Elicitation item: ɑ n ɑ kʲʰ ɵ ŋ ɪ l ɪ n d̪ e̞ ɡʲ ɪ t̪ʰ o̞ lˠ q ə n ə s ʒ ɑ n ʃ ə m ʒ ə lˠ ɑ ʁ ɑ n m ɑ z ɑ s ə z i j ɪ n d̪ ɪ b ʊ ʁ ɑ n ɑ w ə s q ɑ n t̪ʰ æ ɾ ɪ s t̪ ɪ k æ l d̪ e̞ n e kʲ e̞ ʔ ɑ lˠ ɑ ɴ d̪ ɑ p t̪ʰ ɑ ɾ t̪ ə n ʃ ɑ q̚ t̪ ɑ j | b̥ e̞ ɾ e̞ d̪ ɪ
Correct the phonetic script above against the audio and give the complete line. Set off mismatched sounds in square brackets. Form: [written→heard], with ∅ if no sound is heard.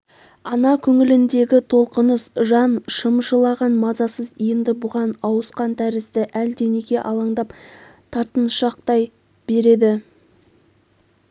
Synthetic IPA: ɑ n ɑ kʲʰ ɵ ŋ ɪ l ɪ n d̪ e̞ ɡʲ ɪ t̪ʰ o̞ lˠ q ə n ə s ʒ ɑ n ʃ ə m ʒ ə lˠ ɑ ʁ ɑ n m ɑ z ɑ s ə z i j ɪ n d̪ ɪ b ʊ ʁ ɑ n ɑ w ə s q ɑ n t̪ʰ æ ɾ ɪ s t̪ ɪ [k→ʔ] æ l d̪ e̞ n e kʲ e̞ ʔ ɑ lˠ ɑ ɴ d̪ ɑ p t̪ʰ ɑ ɾ t̪ ə n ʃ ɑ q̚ t̪ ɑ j | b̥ e̞ ɾ e̞ d̪ ɪ